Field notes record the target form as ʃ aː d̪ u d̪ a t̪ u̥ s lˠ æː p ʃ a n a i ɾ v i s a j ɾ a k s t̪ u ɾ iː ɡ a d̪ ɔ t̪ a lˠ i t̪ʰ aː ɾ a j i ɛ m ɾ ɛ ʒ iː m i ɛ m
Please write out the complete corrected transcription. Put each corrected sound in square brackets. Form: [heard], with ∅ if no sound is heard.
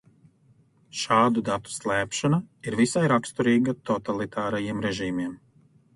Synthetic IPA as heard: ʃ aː d̪ u d̪ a t̪ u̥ s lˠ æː p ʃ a n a i ɾ v i s a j ɾ a k s t̪ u ɾ iː ɡ a [t̪] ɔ t̪ a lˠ i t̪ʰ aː ɾ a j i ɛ m ɾ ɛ ʒ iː m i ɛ m